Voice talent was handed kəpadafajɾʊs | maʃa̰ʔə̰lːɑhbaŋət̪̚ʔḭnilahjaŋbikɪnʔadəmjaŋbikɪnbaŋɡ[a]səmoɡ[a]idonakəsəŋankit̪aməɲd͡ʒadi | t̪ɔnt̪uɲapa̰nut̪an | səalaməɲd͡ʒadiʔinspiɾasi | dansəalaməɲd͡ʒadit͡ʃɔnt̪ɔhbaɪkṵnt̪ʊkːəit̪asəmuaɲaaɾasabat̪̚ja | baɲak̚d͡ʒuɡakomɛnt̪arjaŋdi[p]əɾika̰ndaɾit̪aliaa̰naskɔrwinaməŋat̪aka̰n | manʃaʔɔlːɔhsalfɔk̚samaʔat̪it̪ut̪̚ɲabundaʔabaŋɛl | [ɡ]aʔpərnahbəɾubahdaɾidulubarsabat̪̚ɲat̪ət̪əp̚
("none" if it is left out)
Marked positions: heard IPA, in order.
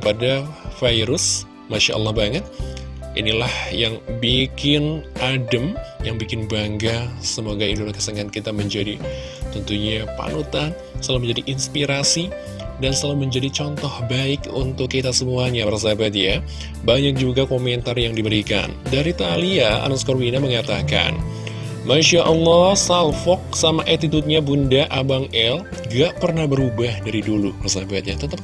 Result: a, a, b, ɡ

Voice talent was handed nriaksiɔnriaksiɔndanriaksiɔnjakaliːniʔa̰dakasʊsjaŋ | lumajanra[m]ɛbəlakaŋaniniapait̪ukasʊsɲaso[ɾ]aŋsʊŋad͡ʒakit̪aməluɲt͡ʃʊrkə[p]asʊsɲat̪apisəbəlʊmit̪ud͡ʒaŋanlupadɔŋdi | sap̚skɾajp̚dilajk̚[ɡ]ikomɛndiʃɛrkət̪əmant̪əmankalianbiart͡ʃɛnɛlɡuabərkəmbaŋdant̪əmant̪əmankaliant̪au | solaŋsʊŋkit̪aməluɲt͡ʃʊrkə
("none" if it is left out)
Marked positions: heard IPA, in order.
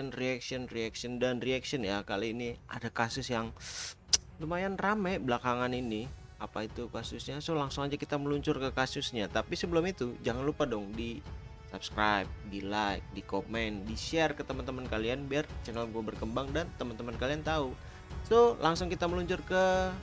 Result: m, l, k, d

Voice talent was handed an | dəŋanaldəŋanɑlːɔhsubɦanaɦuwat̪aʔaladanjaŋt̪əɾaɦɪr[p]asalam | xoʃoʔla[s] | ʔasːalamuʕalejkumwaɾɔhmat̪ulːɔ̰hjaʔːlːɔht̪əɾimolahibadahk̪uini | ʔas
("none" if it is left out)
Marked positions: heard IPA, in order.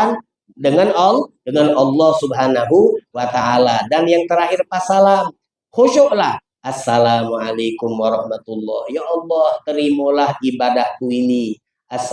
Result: p, h

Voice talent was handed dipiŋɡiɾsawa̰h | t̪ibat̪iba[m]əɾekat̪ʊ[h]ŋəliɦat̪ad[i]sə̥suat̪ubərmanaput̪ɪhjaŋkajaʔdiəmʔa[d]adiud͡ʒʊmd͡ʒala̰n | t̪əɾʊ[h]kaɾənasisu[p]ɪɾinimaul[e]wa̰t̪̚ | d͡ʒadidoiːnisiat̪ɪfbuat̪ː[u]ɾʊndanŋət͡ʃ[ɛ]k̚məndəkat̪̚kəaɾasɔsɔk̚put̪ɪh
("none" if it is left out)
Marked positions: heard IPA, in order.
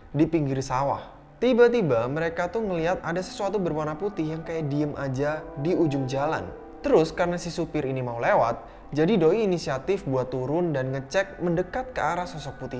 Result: m, h, a, d͡ʒ, s, p, e, u, ɛ

